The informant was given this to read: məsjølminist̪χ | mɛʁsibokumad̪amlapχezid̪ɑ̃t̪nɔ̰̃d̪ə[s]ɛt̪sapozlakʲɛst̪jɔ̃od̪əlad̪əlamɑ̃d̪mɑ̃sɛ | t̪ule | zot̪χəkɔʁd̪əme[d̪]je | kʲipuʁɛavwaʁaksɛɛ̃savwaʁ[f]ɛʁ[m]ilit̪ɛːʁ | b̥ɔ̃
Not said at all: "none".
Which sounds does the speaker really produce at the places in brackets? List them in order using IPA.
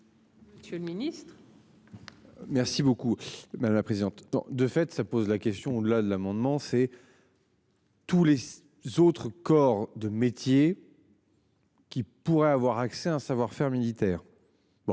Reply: f, t̪, f, m

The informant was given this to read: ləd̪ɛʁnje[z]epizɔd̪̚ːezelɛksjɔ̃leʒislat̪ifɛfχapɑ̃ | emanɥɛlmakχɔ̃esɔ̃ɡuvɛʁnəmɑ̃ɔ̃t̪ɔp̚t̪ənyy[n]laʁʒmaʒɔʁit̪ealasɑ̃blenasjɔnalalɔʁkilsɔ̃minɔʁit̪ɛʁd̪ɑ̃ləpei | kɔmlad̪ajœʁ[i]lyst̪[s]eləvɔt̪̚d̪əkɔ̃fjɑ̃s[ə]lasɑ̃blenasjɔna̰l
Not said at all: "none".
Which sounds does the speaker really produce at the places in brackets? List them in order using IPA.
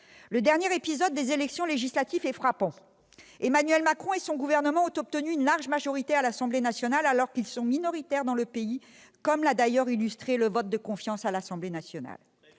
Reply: ʁ, n, i, χ, a

